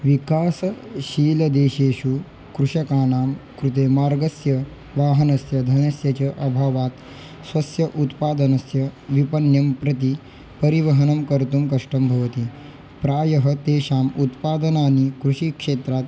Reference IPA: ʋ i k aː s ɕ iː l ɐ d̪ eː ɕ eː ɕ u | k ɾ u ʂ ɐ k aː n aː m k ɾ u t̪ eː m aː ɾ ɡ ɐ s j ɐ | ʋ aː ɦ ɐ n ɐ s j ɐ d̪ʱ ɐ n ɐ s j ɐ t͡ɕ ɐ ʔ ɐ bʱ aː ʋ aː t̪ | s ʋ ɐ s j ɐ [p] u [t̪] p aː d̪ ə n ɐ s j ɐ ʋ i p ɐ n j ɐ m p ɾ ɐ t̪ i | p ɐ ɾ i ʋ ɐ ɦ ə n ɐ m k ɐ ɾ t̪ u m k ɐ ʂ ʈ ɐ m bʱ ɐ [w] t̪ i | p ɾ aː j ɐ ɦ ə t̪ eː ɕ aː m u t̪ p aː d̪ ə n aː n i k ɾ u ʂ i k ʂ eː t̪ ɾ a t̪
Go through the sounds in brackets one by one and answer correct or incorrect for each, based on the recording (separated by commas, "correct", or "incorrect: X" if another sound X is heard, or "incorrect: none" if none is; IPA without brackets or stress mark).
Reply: incorrect: ʔ, correct, incorrect: ʋ